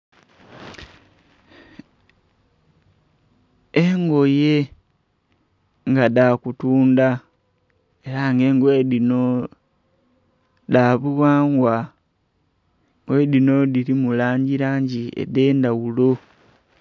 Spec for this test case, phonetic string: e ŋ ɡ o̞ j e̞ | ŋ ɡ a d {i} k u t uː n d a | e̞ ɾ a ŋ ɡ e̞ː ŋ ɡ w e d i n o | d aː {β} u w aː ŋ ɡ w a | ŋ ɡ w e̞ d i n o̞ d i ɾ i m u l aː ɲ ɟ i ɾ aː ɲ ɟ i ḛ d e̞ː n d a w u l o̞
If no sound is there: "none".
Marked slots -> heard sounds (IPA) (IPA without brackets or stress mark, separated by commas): a, β